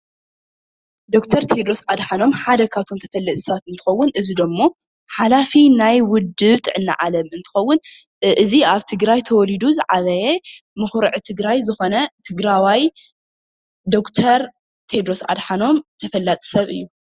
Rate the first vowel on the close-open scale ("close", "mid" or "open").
mid